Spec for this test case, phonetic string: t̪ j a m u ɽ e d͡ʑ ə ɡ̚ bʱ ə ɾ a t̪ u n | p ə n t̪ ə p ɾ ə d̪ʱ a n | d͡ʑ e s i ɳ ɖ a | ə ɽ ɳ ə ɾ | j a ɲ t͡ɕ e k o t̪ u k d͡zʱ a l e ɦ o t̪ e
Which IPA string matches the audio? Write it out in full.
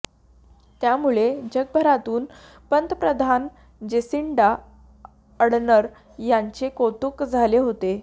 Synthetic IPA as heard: t̪ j a m u ɭ e d͡ʑ ə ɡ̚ bʱ ə ɾ a t̪ uː n | p ə n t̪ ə p ɾ ə d̪ʱ a n | d͡ʑ e s i ɳ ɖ a | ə ɽ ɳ ə ɾ | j a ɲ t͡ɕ e k o t̪ u k d͡zʱ a l e ɦ o t̪ e